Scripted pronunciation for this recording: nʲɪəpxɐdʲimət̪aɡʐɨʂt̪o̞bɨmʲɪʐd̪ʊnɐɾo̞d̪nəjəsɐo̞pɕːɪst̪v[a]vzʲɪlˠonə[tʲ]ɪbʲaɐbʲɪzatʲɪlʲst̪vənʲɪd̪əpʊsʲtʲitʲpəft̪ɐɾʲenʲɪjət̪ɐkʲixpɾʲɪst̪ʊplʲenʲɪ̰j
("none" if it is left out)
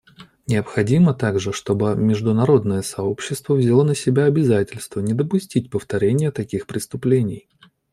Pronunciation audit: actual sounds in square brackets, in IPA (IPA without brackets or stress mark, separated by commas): ə, sʲ